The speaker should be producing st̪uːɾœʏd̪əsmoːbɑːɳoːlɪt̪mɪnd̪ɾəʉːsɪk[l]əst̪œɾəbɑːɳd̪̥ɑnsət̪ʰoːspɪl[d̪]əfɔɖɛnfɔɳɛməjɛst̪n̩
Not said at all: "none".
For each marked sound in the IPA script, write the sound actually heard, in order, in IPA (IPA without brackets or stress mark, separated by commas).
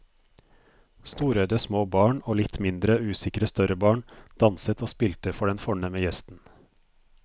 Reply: ɾ, t̪